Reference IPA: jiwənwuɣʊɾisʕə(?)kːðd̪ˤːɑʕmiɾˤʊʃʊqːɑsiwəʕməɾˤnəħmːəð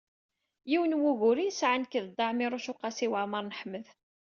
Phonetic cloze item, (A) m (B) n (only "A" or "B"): B